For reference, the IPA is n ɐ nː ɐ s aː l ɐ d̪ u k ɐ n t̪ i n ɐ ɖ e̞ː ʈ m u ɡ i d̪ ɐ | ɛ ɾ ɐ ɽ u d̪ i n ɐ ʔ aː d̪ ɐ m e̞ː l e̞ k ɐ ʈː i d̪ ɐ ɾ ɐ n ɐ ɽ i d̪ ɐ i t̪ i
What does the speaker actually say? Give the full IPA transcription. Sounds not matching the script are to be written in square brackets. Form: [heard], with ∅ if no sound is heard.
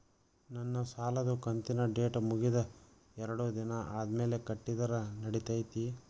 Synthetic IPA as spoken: n ɐ nː ɐ s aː l ɐ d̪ u k ɐ n t̪ i n ɐ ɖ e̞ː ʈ m u ɡ i d̪ ɐ | ɛ ɾ ɐ ɽ u d̪ i n ɐ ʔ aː d̪ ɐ m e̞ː l e̞ k ɐ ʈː i d̪ ɐ ɾ ɐ n ɐ ɽ i [t̪] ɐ [j] t̪ i